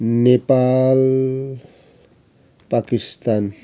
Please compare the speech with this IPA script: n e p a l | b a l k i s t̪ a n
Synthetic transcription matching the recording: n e p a l | p a k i s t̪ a n